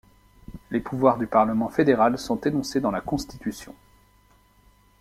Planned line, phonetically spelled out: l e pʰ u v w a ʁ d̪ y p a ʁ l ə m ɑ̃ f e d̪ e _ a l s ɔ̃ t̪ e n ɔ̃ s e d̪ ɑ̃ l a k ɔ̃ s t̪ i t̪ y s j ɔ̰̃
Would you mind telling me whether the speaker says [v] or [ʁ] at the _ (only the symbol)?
ʁ